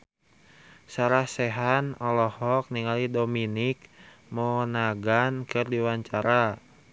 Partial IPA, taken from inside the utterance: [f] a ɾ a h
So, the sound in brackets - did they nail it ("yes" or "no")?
no